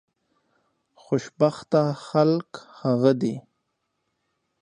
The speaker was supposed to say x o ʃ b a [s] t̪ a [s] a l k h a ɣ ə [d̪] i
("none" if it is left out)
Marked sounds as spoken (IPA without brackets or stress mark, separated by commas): x, x, d̪